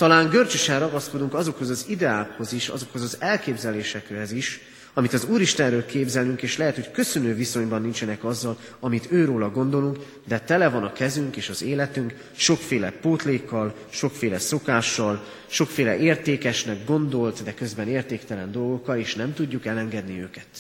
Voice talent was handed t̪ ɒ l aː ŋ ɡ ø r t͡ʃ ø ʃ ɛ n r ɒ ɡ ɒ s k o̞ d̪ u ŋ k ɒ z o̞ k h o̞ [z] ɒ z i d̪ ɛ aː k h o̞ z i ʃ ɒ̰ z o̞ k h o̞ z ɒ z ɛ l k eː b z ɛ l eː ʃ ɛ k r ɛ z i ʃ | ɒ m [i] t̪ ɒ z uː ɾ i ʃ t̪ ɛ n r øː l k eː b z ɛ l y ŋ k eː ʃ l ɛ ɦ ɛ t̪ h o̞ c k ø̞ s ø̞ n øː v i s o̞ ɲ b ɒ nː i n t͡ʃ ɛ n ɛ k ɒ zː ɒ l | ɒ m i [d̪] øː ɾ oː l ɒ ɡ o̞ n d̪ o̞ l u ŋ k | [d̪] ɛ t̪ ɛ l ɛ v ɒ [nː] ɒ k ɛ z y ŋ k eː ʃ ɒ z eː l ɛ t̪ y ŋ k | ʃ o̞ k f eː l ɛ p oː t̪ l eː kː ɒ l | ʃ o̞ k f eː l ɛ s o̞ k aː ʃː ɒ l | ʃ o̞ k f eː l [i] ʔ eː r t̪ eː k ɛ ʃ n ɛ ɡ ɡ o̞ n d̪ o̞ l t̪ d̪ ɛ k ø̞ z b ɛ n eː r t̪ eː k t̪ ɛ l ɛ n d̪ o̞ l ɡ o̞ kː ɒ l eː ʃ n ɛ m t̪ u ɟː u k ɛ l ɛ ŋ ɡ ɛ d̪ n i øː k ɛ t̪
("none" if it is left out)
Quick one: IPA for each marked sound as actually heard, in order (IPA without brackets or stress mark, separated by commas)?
z, i, t̪, d̪, n, ɛ